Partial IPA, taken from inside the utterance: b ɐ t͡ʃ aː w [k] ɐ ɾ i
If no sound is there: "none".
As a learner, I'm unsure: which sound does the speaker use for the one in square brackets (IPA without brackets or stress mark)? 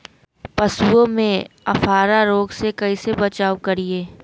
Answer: k